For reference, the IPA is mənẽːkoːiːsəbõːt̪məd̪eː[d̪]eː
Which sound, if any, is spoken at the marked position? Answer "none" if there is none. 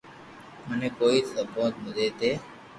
t̪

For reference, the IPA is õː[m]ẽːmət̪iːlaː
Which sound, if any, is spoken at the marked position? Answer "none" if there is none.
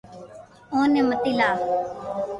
n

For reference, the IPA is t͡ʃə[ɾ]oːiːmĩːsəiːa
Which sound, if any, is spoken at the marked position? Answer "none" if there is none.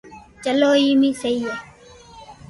l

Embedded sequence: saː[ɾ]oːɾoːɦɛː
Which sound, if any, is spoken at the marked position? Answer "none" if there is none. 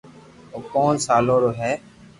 l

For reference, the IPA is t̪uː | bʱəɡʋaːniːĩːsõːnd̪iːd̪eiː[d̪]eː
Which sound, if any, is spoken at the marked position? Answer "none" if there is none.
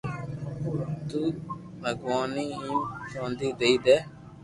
d̪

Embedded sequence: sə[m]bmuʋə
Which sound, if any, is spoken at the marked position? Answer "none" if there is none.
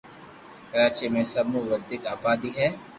none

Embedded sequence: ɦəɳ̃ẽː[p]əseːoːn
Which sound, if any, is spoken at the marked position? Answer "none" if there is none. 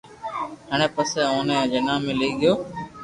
p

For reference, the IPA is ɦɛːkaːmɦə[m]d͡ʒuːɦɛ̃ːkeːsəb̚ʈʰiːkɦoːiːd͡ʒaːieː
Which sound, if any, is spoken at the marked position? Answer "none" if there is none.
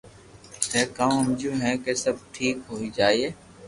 m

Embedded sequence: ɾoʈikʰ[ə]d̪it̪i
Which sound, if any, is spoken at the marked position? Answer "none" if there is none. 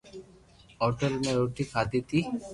a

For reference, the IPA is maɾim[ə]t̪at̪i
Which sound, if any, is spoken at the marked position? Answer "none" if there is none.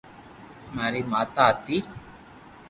a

